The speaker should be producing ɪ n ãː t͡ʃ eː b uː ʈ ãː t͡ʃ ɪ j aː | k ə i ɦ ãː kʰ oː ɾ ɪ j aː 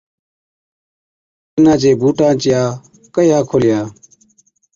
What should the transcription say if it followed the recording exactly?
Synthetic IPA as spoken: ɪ n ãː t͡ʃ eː b uː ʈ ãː t͡ʃ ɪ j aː | k ə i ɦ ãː kʰ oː l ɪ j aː